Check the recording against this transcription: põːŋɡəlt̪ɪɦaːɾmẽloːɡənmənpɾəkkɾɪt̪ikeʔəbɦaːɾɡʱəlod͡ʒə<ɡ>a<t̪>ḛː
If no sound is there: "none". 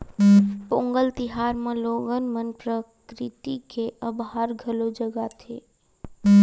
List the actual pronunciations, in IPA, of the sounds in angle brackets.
ɡ, t̪ʰ

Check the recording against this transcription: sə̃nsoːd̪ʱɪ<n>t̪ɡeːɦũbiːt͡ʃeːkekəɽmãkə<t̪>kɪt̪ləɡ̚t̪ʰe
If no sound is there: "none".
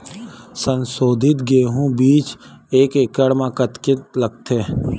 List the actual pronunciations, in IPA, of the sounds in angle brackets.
none, t̪

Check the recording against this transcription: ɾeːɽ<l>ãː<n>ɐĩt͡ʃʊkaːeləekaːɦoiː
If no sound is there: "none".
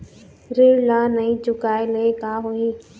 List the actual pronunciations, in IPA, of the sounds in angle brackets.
l, n

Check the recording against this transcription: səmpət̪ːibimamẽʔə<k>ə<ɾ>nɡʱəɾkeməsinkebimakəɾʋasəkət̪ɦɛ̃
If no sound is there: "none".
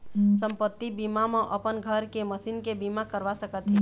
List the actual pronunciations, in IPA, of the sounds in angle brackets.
p, none

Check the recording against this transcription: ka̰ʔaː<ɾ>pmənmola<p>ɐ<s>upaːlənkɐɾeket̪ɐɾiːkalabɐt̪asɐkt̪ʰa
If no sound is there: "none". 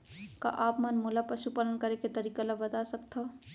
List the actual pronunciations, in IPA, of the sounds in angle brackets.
none, p, ʃ

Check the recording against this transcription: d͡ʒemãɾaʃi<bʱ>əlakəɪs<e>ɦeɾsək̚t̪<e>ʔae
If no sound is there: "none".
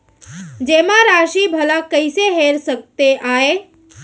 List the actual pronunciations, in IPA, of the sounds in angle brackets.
bʱ, e, e

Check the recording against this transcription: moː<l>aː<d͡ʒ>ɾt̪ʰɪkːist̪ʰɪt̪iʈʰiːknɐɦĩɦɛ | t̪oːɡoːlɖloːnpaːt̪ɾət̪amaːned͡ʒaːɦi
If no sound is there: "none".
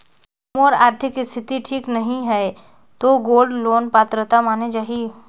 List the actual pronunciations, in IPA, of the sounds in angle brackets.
ɾ, none

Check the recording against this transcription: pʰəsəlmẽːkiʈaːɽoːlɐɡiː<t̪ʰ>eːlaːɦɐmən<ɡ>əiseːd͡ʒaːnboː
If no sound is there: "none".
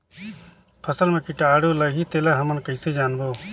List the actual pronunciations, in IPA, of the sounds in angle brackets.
t̪, k

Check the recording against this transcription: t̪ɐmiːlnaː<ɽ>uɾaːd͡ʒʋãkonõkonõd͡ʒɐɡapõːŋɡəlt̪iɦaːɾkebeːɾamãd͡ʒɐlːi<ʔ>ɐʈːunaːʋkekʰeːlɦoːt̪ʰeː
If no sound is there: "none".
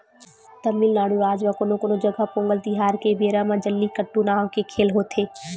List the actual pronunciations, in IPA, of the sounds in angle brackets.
ɽ, k

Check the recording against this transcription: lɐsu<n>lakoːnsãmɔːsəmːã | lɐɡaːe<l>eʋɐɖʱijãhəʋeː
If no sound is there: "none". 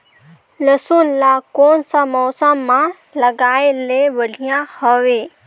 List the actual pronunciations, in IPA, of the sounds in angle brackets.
n, l

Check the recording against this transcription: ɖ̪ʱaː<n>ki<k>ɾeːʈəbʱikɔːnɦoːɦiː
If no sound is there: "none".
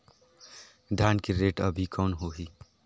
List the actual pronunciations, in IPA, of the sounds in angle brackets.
n, none

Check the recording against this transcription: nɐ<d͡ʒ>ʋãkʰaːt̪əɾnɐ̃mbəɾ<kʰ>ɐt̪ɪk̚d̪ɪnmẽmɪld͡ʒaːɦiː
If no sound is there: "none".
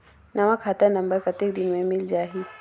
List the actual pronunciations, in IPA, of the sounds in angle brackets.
none, k

